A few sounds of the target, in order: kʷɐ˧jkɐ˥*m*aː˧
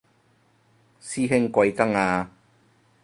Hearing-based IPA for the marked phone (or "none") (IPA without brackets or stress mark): ŋ